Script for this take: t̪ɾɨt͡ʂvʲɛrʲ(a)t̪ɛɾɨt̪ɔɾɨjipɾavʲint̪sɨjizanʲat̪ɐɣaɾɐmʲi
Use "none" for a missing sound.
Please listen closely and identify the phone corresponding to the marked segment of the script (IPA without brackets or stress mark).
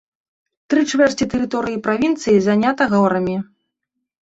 i